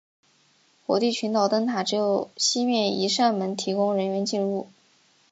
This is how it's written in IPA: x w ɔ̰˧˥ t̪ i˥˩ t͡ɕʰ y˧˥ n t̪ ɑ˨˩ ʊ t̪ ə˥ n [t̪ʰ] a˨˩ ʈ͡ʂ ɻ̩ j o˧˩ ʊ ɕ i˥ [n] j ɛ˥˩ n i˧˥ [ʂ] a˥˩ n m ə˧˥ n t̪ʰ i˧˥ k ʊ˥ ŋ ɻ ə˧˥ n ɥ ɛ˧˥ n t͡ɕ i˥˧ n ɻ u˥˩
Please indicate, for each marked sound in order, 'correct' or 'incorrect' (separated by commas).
correct, incorrect, correct